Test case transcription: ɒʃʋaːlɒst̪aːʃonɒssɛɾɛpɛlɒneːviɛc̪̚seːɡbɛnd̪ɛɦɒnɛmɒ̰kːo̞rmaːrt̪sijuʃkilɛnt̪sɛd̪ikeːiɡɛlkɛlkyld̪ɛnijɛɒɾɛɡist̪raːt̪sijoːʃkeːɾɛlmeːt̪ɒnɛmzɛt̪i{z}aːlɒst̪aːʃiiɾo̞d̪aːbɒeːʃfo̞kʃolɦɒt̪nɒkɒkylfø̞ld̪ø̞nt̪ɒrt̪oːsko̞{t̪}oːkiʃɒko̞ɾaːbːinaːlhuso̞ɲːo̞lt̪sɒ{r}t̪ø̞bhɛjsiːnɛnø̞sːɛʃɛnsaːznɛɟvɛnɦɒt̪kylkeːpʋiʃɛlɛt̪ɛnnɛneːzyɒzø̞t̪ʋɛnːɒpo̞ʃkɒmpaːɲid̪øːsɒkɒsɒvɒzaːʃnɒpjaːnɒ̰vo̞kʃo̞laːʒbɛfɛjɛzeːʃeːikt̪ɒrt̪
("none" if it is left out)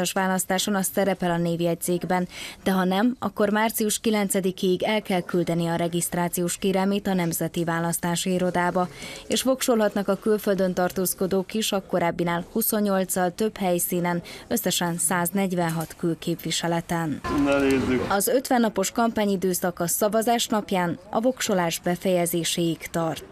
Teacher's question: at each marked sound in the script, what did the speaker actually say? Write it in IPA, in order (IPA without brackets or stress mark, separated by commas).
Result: v, d̪, l